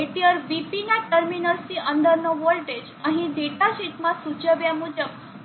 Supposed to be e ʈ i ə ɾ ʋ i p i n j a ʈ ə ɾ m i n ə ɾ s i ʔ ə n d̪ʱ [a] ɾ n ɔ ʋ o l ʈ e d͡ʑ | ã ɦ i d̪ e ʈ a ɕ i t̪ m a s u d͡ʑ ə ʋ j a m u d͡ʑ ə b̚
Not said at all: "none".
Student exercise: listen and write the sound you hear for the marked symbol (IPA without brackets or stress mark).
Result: ə